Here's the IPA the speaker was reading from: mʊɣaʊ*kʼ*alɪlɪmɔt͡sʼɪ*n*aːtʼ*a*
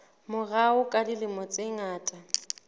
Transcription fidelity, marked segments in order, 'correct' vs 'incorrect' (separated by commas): correct, incorrect, correct